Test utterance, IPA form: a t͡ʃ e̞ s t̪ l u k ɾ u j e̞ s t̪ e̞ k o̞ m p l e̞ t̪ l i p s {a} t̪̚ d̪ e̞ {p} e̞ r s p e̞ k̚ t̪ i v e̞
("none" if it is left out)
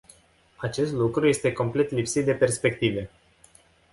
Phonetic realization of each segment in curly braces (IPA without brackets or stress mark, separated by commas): i, p